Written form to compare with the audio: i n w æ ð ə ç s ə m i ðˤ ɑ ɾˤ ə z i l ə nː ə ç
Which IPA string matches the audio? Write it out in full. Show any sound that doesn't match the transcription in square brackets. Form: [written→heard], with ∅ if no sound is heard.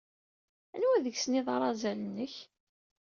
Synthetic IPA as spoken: [i→æ] n w æ ð ə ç s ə [m→n] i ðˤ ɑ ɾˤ [ə→ɑ] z [i→æ] l ə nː ə ç